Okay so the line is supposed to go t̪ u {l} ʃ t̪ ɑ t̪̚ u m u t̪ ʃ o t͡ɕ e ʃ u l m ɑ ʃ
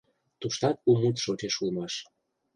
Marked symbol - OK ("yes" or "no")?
no